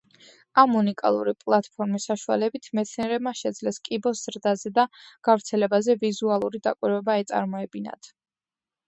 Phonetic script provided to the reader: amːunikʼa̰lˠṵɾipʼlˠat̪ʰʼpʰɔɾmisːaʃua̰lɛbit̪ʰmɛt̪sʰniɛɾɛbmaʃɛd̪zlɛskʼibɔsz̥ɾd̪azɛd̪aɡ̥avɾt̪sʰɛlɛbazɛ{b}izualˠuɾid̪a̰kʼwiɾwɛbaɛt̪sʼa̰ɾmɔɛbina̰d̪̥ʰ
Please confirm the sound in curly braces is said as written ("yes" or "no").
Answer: no